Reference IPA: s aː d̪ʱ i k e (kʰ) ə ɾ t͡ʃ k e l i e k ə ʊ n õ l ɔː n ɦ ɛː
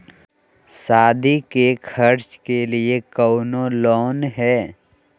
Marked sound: correct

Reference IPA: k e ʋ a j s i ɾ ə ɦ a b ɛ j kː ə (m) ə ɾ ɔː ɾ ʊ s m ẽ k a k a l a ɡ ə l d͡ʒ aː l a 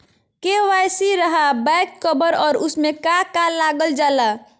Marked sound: incorrect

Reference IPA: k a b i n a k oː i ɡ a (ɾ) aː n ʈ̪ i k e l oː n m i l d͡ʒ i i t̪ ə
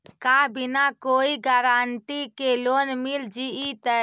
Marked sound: correct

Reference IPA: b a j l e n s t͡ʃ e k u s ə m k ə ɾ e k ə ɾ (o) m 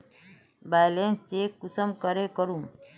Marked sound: incorrect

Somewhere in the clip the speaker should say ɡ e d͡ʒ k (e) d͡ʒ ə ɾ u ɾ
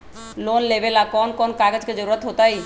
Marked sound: correct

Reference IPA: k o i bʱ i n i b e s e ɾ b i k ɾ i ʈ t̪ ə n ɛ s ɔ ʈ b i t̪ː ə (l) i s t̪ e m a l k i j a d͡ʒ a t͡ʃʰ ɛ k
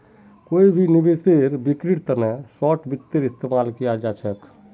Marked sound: incorrect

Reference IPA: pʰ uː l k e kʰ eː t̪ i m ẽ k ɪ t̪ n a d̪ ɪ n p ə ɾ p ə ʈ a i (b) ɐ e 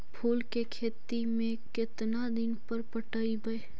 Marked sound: correct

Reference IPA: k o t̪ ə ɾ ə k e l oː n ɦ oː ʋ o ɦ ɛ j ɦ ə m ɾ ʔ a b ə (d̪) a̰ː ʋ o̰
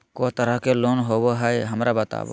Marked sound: incorrect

